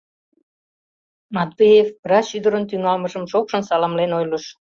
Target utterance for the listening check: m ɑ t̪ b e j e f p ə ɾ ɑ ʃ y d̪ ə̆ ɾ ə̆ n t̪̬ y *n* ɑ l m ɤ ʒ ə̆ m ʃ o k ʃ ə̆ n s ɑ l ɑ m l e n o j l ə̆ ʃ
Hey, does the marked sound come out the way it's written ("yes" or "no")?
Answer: no